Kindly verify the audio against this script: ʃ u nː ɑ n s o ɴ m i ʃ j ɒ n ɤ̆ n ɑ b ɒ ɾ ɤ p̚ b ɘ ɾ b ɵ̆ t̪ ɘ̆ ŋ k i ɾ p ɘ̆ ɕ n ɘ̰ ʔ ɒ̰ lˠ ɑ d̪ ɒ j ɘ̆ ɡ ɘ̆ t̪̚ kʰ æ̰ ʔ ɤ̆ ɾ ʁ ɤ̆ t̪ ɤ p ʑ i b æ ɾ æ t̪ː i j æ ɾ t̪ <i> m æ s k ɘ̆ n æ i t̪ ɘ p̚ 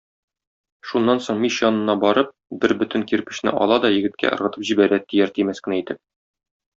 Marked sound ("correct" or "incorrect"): correct